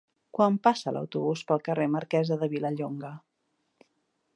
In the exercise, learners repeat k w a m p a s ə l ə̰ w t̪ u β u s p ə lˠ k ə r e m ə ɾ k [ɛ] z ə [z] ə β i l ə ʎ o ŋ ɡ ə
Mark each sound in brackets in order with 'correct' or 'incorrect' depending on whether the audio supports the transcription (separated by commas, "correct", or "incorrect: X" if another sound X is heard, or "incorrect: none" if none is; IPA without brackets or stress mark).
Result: correct, incorrect: ð